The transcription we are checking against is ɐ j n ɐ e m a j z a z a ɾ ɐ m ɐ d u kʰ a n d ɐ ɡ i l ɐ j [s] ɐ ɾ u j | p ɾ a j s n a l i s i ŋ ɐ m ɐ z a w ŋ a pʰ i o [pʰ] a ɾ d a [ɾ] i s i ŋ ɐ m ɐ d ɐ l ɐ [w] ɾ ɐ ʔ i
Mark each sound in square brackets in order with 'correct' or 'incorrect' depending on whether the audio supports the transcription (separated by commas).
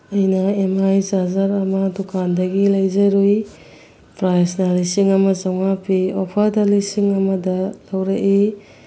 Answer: incorrect, correct, incorrect, correct